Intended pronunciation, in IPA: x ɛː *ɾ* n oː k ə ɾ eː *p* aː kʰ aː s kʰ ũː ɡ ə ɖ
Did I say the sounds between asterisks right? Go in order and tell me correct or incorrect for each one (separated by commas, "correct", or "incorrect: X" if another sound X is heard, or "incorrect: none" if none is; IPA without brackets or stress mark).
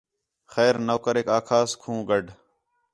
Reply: correct, incorrect: k